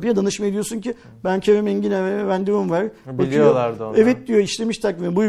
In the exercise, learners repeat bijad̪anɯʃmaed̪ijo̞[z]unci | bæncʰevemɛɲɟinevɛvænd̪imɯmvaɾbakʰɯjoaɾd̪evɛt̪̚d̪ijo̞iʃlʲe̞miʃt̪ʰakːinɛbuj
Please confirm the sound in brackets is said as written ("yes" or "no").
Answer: no